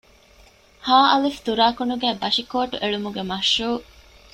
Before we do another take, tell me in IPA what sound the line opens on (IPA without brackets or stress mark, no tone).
h